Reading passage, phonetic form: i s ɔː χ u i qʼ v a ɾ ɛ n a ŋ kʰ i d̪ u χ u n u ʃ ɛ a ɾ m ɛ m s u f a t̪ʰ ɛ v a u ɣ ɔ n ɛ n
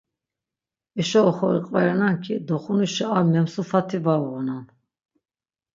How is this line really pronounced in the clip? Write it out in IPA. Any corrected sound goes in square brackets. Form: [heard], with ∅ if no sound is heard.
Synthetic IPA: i [ʃ] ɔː χ [ɔ] i qʼ v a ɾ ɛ n a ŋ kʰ i d̪ [ɔ] χ u n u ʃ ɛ a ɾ m ɛ m s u f a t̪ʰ [i] v a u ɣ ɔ n [a] n